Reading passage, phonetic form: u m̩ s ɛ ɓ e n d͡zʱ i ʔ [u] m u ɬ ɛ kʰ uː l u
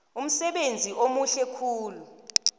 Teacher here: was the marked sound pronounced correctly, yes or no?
no